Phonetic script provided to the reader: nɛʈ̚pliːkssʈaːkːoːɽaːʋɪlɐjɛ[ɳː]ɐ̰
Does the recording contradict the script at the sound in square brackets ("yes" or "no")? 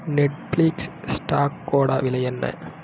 yes